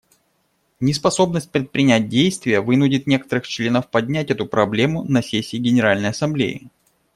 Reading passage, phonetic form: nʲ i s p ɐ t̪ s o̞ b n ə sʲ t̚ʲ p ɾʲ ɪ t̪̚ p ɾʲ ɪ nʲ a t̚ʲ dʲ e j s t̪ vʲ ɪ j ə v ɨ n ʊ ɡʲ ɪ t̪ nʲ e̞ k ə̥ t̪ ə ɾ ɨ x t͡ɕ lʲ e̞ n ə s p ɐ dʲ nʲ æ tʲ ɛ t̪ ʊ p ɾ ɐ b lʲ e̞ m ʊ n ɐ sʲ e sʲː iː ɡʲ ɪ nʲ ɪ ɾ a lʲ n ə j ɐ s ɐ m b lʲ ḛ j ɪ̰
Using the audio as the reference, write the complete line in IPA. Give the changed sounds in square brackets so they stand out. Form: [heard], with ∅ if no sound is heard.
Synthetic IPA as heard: nʲ [ɪ] s p ɐ [∅] s o̞ b n ə sʲ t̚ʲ p ɾʲ ɪ t̪̚ p ɾʲ ɪ nʲ [æ] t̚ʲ dʲ e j s t̪ vʲ ɪ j ə v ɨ n ʊ [dʲ] ɪ t̪ nʲ e̞ k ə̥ t̪ ə ɾ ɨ x t͡ɕ lʲ e̞ n ə [f] p ɐ dʲ nʲ æ tʲ ɛ t̪ ʊ p ɾ ɐ b lʲ e̞ m ʊ n ɐ sʲ e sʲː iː ɡʲ ɪ nʲ ɪ ɾ a lʲ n ə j ɐ s ɐ m b lʲ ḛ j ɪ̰